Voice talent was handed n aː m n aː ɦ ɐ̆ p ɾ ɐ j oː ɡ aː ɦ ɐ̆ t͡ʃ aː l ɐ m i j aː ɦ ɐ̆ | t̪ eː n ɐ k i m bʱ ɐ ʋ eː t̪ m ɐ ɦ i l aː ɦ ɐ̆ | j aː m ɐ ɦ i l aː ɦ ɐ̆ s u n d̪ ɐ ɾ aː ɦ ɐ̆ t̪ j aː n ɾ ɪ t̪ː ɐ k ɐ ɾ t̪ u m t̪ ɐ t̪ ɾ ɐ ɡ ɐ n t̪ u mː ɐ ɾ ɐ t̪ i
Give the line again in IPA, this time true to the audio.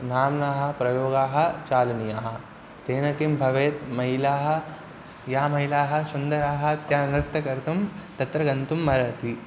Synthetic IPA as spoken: n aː m n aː ɦ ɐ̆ p ɾ ɐ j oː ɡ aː ɦ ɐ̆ t͡ʃ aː l ɐ n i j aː ɦ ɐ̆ | t̪ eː n ɐ k i m bʱ ɐ ʋ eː t̪ m ɐ ɦ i l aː ɦ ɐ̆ | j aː m ɐ ɦ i l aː ɦ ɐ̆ s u n d̪ ɐ ɾ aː ɦ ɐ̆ t̪ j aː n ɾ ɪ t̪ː ɐ k ɐ ɾ t̪ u m t̪ ɐ t̪ ɾ ɐ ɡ ɐ n t̪ u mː ɐ ɾ ɐ t̪ i

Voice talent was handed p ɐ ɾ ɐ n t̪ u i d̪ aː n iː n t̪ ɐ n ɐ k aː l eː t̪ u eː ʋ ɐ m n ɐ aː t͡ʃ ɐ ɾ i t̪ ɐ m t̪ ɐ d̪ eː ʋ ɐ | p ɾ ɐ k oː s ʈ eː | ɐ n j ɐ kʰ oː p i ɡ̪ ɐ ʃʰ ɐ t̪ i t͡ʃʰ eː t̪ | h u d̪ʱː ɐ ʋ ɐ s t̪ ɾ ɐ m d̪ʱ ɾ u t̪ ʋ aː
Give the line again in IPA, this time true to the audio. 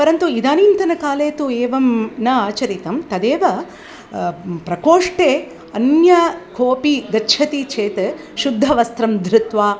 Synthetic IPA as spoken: p ɐ ɾ ɐ n t̪ u i d̪ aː n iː n t̪ ɐ n ɐ k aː l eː t̪ u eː ʋ ɐ m n ɐ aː t͡ʃ ɐ ɾ i t̪ ɐ m t̪ ɐ d̪ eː ʋ ɐ | p ɾ ɐ k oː ʂ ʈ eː | ɐ n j ɐ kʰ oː p i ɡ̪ ɐ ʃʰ ɐ t̪ i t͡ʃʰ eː t̪ | ʃ u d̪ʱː ɐ ʋ ɐ s t̪ ɾ ɐ m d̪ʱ ɾ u t̪ ʋ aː

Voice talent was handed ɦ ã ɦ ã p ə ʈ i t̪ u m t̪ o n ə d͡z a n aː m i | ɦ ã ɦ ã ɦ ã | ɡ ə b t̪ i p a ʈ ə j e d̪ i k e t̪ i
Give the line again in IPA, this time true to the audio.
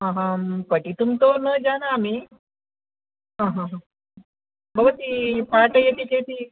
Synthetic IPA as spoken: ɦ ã ɦ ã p ə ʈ i t̪ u m t̪ o n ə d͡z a n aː m i | ɦ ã ɦ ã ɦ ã | b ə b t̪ i p a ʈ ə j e t̪ i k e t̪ i

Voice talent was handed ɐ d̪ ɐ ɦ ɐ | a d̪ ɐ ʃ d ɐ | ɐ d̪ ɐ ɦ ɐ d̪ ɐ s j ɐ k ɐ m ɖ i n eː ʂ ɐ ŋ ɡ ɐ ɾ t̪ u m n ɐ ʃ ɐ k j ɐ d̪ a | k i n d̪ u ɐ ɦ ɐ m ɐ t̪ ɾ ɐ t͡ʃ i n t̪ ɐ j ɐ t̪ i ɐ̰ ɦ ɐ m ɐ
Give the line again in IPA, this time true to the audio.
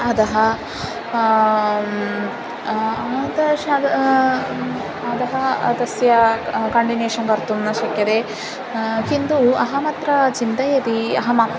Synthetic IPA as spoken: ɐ d̪ ɐ ɦ ɐ | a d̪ ɐ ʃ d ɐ | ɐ d̪ ɐ ɦ ɐ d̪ ɐ s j ɐ k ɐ ɳ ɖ i n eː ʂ ɐ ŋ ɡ ɐ ɾ t̪ u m n ɐ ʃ ɐ k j ɐ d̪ e | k i n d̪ u ɐ ɦ ɐ m ɐ t̪ ɾ ɐ t͡ʃ i n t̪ ɐ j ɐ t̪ i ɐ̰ ɦ ɐ m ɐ

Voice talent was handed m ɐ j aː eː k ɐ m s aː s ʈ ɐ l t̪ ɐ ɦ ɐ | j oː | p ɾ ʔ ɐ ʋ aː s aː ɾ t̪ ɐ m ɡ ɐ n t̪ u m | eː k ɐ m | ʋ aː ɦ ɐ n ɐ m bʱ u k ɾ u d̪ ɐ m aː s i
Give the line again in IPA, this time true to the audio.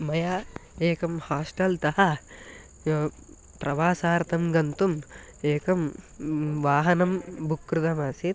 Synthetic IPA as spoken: m ɐ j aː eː k ɐ m h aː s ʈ ɐ l t̪ ɐ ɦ ɐ | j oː | p ɾ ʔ ɐ ʋ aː s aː ɾ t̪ ɐ m ɡ ɐ n t̪ u m | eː k ɐ m | ʋ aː ɦ ɐ n ɐ m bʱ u k ɾ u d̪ ɐ m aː s i

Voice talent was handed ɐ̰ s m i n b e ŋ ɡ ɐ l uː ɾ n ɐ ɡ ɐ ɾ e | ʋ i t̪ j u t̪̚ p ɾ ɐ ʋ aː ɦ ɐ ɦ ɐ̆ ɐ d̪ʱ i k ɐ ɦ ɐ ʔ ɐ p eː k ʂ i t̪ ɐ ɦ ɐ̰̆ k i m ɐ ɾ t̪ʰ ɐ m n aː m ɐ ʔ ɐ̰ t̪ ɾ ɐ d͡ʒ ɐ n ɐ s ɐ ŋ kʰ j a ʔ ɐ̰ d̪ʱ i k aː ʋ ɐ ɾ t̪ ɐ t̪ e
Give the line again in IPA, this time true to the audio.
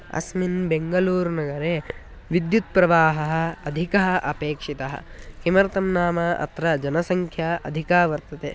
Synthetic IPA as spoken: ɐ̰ s m i n b e ŋ ɡ ɐ l uː ɾ n ɐ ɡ ɐ ɾ e | ʋ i d̪ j u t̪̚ p ɾ ɐ ʋ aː ɦ ɐ ɦ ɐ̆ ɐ d̪ʱ i k ɐ ɦ ɐ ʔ ɐ p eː k ʂ i t̪ ɐ ɦ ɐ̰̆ k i m ɐ ɾ t̪ ɐ m n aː m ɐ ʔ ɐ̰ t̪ ɾ ɐ d͡ʒ ɐ n ɐ s ɐ ŋ kʰ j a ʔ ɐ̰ d̪ʱ i k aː ʋ ɐ ɾ t̪ ɐ t̪ e

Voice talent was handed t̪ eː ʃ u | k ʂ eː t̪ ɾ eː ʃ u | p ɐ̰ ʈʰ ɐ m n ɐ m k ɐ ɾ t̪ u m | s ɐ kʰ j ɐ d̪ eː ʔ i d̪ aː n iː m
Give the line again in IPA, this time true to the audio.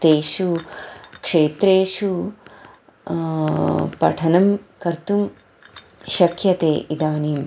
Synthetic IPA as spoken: t̪ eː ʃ u | k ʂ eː t̪ ɾ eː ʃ u | p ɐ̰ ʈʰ ɐ n ɐ m k ɐ ɾ t̪ u m | ʃ ɐ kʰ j ɐ t̪ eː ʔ i d̪ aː n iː m

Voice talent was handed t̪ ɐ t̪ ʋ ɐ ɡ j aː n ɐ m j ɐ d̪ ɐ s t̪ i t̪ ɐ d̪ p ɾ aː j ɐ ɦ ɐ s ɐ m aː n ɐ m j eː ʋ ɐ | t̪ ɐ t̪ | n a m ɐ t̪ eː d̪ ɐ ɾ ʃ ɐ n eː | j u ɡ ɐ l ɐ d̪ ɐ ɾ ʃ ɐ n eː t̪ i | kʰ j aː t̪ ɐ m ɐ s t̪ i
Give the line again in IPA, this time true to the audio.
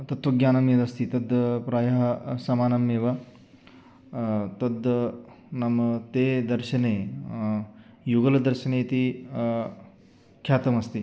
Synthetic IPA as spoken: t̪ ɐ t̪ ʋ ɐ ɡ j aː n ɐ m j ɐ d̪ ɐ s t̪ i t̪ ɐ d̪ p ɾ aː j ɐ ɦ ɐ s ɐ m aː n ɐ m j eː ʋ ɐ | t̪ ɐ d̪ | n ɐ m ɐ t̪ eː d̪ ɐ ɾ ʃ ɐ n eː | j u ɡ ɐ l ɐ d̪ ɐ ɾ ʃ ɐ n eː t̪ i | kʰ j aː t̪ ɐ m ɐ s t̪ i

